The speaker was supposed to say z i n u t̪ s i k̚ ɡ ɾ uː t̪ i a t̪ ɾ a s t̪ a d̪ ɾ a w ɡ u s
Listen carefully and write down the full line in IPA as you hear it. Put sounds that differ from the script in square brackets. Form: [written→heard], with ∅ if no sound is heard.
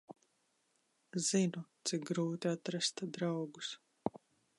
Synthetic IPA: z i n u t̪ s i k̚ ɡ ɾ uː t̪ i a t̪ ɾ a s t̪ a d̪ ɾ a w ɡ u s